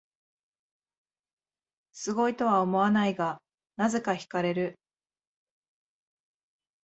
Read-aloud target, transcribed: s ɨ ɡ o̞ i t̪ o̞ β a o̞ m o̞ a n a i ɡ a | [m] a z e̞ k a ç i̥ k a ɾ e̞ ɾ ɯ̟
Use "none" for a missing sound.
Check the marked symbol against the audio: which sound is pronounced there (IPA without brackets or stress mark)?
n